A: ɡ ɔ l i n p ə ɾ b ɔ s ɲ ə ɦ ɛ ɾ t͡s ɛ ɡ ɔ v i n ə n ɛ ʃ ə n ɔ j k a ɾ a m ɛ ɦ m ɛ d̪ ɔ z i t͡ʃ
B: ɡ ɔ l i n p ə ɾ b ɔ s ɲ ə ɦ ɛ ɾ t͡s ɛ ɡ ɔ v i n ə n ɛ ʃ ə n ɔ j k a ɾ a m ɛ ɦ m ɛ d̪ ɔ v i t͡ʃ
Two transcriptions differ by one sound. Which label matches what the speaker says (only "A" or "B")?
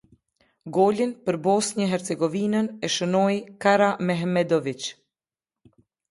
B